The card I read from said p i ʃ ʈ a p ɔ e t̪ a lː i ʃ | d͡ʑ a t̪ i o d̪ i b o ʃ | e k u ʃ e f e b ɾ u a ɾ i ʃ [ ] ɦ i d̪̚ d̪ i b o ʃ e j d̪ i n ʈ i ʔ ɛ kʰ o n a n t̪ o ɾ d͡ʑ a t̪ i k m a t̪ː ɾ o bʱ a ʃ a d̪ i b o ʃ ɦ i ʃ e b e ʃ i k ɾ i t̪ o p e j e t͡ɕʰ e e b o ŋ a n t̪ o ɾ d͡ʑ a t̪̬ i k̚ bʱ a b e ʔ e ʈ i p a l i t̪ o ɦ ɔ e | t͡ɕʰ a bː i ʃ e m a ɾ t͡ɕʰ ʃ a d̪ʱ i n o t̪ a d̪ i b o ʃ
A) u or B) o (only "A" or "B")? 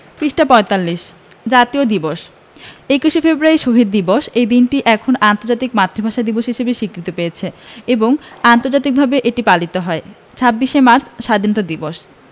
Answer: B